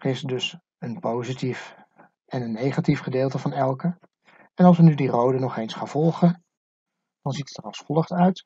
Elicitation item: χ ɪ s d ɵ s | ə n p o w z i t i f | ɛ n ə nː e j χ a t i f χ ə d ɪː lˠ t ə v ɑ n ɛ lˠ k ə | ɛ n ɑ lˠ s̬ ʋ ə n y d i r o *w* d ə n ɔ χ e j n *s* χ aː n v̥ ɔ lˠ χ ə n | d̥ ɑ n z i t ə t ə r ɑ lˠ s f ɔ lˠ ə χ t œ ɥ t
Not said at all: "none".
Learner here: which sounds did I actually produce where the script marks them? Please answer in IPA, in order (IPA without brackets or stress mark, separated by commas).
w, s